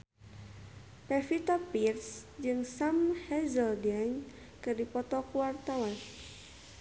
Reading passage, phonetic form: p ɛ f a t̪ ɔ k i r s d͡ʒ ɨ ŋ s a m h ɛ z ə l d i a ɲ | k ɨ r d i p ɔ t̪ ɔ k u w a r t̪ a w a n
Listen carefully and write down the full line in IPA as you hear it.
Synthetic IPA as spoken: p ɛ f i t̪ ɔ p i r s d͡ʒ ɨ ŋ s a m h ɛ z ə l d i a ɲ | k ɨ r d i p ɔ t̪ ɔ k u w a r t̪ a w a n